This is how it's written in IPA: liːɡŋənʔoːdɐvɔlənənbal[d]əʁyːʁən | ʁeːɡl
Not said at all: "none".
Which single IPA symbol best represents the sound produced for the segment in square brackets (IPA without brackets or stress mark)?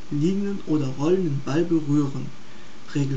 b